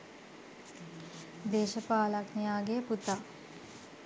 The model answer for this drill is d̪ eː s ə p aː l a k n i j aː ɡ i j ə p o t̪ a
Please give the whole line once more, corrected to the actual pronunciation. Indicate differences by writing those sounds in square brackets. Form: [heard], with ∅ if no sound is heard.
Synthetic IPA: d̪ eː [ʃ] ə p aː l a k n i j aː ɡ [e] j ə p [u] t̪ a